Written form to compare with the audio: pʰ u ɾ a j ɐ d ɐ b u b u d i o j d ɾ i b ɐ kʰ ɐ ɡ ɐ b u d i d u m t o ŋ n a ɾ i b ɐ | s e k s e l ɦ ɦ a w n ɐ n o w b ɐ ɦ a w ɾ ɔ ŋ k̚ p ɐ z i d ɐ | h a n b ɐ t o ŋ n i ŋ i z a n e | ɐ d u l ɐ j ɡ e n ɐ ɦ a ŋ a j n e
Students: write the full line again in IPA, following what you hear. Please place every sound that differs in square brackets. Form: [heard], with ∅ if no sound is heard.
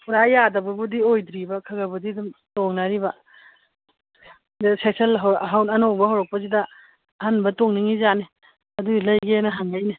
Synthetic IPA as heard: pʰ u ɾ a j [a] d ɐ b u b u d i o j d ɾ i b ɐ kʰ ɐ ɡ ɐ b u d i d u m t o ŋ n a ɾ i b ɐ | s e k s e l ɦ ɦ a w n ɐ n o w b ɐ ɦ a w ɾ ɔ [∅] k̚ p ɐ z i d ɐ | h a n b ɐ t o ŋ n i ŋ i z a n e | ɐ d u l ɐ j ɡ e n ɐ ɦ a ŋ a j n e